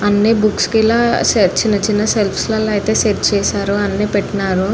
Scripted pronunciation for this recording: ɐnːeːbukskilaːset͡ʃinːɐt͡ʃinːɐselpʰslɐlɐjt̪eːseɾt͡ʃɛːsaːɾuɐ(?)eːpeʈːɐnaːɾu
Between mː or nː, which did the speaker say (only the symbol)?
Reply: nː